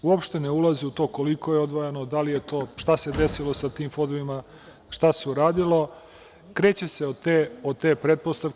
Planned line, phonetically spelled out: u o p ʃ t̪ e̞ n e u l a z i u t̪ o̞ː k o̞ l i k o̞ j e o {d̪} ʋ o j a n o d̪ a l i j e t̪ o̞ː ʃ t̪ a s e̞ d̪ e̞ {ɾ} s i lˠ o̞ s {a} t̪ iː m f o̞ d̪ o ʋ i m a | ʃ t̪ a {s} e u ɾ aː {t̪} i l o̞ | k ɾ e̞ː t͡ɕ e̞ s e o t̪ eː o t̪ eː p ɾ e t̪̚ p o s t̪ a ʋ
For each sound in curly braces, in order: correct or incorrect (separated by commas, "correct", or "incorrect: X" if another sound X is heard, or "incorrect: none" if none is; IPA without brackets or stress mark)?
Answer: correct, incorrect: none, correct, correct, incorrect: d̪